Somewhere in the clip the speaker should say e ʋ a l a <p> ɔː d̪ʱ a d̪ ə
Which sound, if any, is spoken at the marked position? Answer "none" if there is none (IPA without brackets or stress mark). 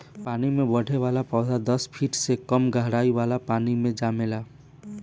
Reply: p